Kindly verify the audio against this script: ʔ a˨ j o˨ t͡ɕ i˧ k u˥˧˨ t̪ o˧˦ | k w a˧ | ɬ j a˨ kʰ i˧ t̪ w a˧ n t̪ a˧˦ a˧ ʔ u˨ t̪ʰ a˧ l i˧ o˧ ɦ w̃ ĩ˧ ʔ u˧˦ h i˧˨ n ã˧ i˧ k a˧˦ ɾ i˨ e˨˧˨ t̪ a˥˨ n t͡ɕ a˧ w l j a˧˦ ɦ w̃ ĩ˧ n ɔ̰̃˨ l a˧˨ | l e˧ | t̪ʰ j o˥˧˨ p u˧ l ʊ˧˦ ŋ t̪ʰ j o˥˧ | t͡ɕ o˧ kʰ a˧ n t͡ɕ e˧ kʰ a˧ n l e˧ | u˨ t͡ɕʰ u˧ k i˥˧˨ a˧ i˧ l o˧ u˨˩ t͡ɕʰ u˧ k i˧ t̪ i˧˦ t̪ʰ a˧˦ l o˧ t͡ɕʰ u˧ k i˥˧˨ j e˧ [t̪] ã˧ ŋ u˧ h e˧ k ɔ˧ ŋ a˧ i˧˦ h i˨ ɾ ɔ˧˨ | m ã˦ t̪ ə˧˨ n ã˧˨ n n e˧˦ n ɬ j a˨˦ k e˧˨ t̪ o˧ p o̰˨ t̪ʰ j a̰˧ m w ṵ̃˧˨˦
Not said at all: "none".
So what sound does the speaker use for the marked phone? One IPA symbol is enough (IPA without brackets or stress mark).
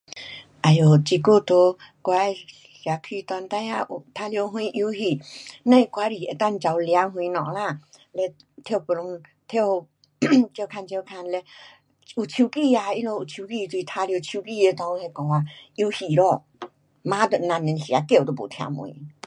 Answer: t̪